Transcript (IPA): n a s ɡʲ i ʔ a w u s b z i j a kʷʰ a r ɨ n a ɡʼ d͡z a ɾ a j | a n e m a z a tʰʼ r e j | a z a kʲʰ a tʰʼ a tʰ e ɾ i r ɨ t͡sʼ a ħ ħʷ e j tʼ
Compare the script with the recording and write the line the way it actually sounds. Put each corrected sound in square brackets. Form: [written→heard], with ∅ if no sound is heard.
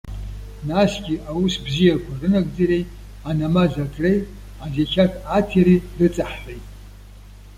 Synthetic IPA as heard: n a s ɡʲ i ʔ a w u s b z i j a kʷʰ a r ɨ n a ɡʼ d͡z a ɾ [a→e] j | a n [e→a] m a z a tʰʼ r e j | a z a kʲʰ a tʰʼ a tʰ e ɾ i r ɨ t͡sʼ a ħ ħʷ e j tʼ